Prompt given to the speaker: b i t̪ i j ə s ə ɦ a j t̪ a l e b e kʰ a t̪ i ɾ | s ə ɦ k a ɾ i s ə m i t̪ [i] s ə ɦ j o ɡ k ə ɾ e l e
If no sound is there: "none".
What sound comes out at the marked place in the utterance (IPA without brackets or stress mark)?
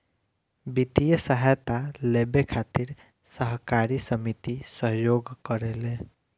i